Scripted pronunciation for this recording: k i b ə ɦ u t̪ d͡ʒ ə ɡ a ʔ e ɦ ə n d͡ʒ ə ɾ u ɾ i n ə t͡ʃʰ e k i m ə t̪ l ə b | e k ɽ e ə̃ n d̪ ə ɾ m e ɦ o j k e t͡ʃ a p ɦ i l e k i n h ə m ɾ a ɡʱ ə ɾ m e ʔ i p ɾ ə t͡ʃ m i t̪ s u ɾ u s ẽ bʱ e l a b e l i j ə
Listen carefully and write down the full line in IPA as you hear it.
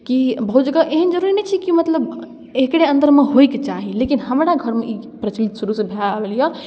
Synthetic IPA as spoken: k i b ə ɦ u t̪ d͡ʒ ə ɡ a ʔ e ɦ ə n d͡ʒ ə ɾ u ɾ i n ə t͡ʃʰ i k i m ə t̪ l ə b | e k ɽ e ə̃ n d̪ ə ɾ m e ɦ o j k e t͡ʃ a ɦ i l e k i n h ə m ɾ a ɡʱ ə ɾ m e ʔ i p ɾ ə t͡ʃ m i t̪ s u ɾ u s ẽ bʱ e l a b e l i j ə